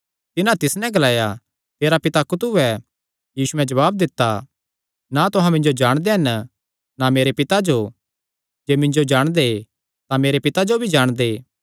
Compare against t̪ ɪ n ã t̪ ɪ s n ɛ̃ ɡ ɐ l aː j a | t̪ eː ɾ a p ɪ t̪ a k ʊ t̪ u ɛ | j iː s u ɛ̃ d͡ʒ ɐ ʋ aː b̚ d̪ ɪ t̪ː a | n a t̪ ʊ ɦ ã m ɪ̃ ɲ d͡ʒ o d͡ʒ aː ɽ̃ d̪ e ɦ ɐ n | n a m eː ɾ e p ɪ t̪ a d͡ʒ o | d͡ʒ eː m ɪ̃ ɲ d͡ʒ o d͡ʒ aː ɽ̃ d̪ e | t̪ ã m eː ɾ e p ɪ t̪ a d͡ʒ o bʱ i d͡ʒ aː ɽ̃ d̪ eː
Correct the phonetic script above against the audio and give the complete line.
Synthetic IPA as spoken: t̪ ɪ n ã t̪ ɪ s n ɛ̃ ɡ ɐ l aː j a | t̪ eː ɾ a p ɪ t̪ a k ʊ t̪ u ɛ | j iː s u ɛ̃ d͡ʒ ɐ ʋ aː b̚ d̪ ɪ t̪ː a | n a t̪ ʊ ɦ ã m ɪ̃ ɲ d͡ʒ o d͡ʒ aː ɽ̃ d̪ e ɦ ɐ n | n a m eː ɾ e p ɪ t̪ a d͡ʒ o | d͡ʒ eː m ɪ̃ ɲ d͡ʒ o d͡ʒ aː ɽ̃ d̪ e | t̪ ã m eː ɾ e p ɪ t̪ a d͡ʒ o bʱ i d͡ʒ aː ɽ̃ d̪ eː